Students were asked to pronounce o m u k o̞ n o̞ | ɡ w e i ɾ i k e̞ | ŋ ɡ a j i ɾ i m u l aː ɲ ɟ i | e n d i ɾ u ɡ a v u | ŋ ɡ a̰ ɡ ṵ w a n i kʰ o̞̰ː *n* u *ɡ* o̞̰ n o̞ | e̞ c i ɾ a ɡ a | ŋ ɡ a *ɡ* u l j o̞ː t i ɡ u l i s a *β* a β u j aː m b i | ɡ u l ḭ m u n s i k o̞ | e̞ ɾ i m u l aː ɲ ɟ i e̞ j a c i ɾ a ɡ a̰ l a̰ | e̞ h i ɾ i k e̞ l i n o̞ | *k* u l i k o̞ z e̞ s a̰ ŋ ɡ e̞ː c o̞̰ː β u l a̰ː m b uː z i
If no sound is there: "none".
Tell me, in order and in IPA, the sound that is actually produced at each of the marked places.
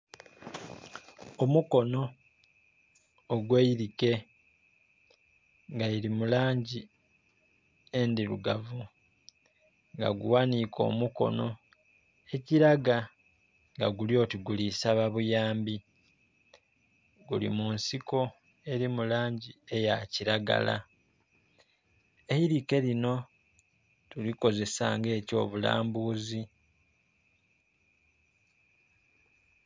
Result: m, k, ɡ, β, t

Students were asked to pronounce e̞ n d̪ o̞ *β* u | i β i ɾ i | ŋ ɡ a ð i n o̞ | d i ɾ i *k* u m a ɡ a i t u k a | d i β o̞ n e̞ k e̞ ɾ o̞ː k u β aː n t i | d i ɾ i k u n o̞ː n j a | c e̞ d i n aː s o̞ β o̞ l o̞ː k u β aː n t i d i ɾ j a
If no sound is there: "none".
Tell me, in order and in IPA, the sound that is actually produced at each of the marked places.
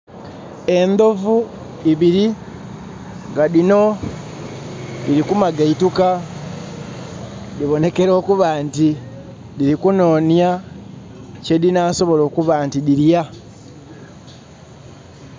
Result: v, k

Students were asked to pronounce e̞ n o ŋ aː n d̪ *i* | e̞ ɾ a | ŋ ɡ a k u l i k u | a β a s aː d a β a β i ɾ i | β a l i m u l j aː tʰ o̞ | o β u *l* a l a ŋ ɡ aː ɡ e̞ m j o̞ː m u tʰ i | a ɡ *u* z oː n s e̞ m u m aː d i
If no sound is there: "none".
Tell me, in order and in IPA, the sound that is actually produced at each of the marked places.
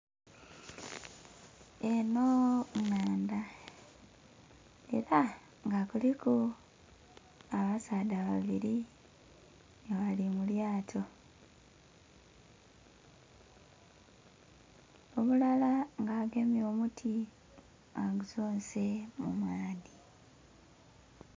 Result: a, l, u

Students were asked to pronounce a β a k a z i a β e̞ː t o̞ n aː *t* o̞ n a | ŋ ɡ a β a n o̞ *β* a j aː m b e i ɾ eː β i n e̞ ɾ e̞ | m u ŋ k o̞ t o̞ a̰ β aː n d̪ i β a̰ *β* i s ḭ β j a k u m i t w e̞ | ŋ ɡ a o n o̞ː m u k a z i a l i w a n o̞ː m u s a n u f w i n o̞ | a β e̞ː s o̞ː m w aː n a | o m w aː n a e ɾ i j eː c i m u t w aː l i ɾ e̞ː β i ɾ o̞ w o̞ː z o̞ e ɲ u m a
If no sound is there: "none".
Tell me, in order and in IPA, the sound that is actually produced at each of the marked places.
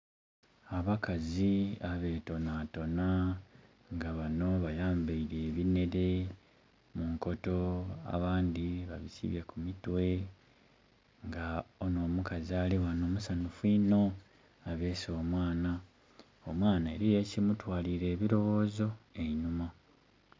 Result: t, β, β

